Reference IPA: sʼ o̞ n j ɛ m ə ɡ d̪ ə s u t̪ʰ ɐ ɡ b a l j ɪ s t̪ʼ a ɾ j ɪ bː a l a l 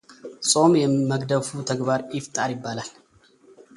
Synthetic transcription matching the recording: sʼ o̞ m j ɛ m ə ɡ d̪ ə f u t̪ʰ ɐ ɡ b a ɾ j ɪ f t̪ʼ a ɾ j ɪ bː a l a l